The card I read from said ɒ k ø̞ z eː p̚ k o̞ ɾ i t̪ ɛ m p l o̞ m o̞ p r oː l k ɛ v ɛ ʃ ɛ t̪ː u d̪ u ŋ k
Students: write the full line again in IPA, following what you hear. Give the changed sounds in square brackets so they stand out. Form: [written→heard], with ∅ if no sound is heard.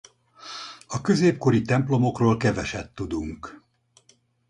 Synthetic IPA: ɒ k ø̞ z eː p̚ k o̞ ɾ i t̪ ɛ m p l o̞ m o̞ [p→k] r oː l k ɛ v ɛ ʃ ɛ t̪ː u d̪ u ŋ k